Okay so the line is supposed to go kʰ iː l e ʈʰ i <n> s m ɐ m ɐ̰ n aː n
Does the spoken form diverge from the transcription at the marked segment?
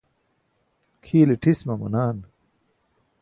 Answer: yes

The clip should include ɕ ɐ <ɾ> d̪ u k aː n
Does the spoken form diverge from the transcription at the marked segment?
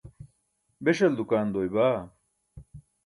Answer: yes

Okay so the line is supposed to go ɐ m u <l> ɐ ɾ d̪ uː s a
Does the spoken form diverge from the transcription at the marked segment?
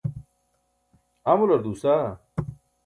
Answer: no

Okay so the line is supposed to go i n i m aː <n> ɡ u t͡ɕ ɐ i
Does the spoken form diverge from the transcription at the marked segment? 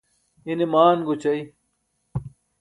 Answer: no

